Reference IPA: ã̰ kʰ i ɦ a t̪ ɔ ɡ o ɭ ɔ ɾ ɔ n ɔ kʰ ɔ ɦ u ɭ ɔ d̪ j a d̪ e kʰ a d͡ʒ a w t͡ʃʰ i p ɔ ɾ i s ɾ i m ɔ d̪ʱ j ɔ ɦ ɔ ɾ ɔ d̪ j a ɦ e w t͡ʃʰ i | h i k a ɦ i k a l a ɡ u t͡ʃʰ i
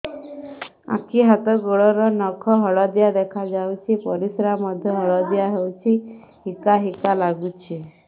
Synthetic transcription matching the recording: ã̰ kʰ i ɦ a t̪ ɔ ɡ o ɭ ɔ ɾ ɔ n ɔ kʰ ɔ ɦ ɔ ɭ ɔ d̪ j a d̪ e kʰ a d͡ʒ a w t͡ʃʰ i p ɔ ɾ i s ɾ a m ɔ d̪ʱ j ɔ ɦ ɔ ɭ ɔ d̪ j a ɦ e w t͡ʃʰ i | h i k a ɦ i k a l a ɡ u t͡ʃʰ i